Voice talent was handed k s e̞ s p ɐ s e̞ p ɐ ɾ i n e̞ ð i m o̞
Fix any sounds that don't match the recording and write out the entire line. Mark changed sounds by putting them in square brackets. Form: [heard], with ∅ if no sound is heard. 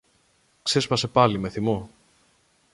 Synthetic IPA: k s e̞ s p ɐ s e̞ p ɐ [l] i [m] e̞ [θ] i m o̞